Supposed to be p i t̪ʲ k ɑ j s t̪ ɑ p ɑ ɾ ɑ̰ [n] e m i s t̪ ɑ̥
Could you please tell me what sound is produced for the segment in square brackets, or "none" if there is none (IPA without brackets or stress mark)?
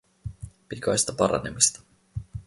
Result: n